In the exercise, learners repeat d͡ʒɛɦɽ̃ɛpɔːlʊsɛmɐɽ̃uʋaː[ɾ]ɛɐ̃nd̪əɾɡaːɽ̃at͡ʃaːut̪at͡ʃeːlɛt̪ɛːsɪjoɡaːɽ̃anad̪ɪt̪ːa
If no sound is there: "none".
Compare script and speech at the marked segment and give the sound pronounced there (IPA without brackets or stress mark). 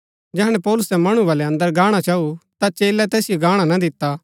l